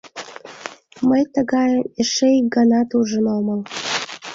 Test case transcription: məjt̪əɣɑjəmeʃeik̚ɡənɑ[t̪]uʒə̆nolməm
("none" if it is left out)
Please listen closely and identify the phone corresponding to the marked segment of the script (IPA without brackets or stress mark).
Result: t̪